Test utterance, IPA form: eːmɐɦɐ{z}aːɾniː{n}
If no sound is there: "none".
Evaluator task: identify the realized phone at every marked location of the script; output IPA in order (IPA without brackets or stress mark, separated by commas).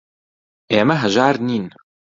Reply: ʒ, n